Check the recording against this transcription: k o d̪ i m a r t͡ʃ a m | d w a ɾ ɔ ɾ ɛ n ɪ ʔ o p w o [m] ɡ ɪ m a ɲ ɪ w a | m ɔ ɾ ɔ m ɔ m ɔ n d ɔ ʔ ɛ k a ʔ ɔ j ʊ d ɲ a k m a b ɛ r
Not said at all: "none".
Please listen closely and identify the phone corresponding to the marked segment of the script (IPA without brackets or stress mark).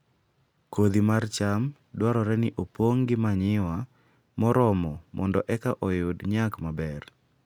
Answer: ŋ